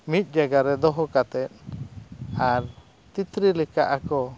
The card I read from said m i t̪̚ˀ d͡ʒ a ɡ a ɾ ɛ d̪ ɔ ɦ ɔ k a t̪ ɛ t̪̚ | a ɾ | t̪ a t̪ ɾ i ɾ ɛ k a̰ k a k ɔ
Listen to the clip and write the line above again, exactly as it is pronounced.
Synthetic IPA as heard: m i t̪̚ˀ d͡ʒ a ɡ a ɾ ɛ d̪ ɔ ɦ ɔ k a t̪ ɛ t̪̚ | a ɾ | t̪ i t̪ ɾ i l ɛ k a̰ ʔ a k ɔ